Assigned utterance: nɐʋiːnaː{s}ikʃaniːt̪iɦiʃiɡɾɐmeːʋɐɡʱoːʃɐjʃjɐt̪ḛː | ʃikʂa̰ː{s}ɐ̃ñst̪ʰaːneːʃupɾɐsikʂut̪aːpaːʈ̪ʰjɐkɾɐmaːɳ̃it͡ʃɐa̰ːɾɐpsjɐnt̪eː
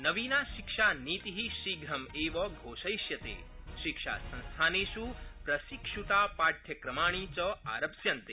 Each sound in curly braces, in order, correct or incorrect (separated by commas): incorrect, correct